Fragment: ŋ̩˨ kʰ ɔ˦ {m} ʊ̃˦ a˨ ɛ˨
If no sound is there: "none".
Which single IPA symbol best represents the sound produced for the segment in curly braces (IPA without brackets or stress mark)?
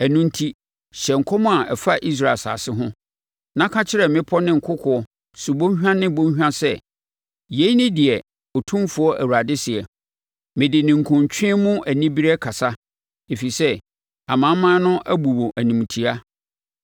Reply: m